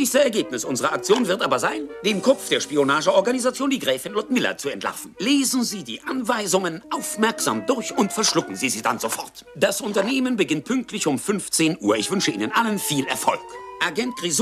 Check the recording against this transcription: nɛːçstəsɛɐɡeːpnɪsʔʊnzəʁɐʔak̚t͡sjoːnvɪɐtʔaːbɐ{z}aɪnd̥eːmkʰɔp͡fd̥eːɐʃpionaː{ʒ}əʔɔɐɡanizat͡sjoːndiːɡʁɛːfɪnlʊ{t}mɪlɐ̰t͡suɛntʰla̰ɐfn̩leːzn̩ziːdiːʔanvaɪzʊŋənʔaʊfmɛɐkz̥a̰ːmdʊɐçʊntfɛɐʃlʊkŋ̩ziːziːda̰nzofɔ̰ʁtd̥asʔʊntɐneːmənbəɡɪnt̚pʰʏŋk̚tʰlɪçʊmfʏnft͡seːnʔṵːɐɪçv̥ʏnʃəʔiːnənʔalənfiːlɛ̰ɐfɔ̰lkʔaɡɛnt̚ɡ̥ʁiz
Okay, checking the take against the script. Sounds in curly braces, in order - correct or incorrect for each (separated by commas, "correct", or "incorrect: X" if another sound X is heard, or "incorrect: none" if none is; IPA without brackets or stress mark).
correct, correct, correct